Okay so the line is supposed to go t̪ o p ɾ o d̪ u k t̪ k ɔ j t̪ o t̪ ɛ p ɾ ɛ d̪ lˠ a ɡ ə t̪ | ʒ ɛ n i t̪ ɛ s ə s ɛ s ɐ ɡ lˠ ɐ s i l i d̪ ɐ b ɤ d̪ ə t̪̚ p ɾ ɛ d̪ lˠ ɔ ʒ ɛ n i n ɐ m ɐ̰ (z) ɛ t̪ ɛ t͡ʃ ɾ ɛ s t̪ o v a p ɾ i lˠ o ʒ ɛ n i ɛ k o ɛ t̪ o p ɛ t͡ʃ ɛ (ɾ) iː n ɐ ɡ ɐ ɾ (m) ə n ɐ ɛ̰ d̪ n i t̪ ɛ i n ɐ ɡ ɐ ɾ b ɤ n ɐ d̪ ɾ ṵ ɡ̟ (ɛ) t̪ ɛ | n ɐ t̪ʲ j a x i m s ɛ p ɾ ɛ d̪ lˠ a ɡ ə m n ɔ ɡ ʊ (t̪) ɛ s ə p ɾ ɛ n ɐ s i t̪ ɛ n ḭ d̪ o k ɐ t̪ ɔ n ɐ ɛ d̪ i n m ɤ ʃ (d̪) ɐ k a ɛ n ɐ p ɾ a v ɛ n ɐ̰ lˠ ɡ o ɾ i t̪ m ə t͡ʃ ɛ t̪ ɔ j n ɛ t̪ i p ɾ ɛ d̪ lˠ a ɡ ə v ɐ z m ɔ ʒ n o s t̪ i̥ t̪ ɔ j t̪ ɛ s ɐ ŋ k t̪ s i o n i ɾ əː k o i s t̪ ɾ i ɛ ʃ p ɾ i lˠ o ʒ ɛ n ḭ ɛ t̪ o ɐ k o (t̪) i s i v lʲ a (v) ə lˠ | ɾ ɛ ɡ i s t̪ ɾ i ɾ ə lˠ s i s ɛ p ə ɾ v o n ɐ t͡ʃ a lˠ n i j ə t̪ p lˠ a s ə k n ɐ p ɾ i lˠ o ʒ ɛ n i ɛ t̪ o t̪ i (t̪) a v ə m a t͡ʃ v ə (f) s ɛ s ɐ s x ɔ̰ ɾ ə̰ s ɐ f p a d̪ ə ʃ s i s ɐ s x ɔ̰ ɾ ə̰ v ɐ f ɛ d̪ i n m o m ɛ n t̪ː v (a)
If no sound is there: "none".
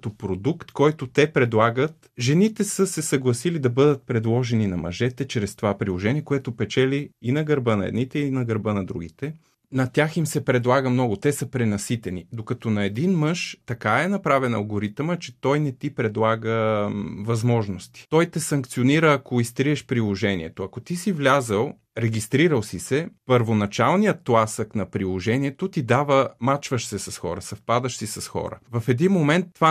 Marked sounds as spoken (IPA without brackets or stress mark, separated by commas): ʒ, l, b, i, t̪, t̪, t̪, z, d̪, ʃ, a